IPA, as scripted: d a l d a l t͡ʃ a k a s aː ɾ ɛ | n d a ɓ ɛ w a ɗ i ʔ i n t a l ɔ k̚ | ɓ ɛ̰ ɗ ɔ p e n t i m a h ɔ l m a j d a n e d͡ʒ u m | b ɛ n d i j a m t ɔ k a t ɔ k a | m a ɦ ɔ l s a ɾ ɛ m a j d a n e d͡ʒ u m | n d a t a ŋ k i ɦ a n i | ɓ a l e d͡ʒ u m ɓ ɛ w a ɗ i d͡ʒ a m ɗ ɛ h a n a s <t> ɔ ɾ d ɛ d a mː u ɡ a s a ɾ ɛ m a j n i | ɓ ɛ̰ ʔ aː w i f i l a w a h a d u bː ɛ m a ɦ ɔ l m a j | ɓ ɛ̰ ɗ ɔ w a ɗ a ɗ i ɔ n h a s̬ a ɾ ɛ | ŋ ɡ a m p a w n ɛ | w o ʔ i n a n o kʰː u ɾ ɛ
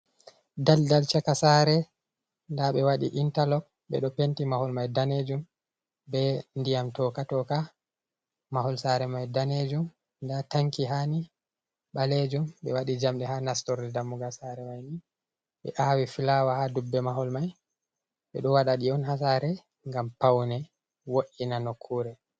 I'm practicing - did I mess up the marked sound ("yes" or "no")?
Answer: no